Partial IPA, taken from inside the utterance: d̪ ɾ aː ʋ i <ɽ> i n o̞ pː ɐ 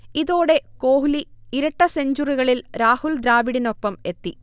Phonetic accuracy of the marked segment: correct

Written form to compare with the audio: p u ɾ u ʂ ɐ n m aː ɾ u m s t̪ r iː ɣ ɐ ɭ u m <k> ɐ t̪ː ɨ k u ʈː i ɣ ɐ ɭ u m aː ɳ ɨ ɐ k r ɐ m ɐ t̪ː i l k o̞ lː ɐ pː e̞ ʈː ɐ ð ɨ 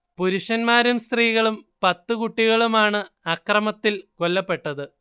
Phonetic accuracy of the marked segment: incorrect: p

